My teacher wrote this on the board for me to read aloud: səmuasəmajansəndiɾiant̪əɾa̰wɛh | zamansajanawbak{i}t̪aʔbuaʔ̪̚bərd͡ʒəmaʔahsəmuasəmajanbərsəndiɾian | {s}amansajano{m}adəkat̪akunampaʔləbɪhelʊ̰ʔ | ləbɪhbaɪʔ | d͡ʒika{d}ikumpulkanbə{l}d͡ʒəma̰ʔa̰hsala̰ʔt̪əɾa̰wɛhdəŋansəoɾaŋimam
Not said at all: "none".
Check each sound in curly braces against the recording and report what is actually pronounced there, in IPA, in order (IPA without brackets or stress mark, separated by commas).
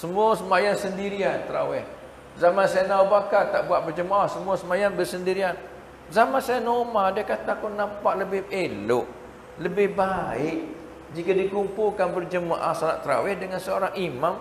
a, z, m, d, r